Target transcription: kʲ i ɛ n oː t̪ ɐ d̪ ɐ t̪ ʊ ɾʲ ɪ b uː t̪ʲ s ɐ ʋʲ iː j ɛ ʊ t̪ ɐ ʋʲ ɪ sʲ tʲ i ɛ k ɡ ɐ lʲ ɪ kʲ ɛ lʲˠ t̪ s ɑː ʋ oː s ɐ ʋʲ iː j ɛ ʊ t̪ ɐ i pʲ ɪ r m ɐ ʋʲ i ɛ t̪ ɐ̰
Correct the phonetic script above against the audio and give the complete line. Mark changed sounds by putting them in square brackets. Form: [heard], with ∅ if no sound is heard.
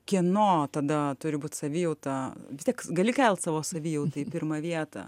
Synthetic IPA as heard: kʲ i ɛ n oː t̪ ɐ d̪ ɐ t̪ ʊ ɾʲ ɪ b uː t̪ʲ s ɐ ʋʲ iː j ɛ ʊ t̪ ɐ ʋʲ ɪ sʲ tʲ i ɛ k ɡ ɐ lʲ ɪ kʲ ɛ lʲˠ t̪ s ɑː ʋ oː s ɐ ʋʲ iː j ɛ ʊ t̪ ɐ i pʲ ɪ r m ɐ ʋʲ i ɛ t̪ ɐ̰